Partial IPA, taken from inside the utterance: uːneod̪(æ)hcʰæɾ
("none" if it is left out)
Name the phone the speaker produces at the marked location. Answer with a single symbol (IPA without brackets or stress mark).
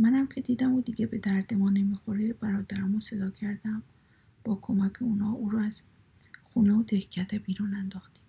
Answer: e